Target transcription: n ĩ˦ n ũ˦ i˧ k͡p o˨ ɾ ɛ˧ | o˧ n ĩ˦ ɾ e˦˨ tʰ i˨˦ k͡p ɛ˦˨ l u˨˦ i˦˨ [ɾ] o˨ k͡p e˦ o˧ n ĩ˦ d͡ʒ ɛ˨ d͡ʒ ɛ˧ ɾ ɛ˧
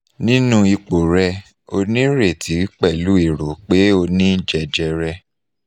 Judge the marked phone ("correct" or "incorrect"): correct